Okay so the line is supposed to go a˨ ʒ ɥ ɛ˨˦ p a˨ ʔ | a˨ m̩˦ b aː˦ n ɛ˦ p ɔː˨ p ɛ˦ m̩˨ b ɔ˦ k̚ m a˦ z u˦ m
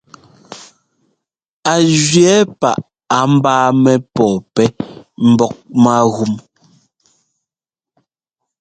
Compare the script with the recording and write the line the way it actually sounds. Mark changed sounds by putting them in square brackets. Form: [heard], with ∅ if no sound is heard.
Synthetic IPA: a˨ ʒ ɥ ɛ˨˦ p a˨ ʔ | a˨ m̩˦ b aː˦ [m] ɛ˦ p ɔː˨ p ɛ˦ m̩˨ b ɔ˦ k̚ m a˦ [ɣ] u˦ m